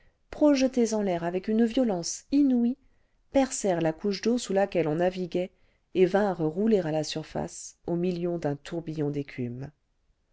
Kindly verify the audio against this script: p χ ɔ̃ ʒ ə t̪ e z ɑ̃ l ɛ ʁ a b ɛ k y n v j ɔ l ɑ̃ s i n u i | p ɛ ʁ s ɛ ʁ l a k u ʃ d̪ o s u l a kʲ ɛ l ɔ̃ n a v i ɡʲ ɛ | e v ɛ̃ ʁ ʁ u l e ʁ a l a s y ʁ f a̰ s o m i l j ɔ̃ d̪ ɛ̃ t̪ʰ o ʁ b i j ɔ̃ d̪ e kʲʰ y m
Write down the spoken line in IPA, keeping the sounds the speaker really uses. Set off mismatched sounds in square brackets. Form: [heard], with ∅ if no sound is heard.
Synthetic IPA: p χ [ɔ] ʒ ə t̪ e z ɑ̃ l ɛ ʁ a [v] ɛ k y n v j ɔ l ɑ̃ s i n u i | p ɛ ʁ s ɛ ʁ l a k u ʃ d̪ o s u l a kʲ ɛ l ɔ̃ n a v i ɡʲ ɛ | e v ɛ̃ ʁ ʁ u l e ʁ a l a s y ʁ f a̰ s o m i l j ɔ̃ d̪ ɛ̃ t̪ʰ [u] ʁ b i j ɔ̃ d̪ e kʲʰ y m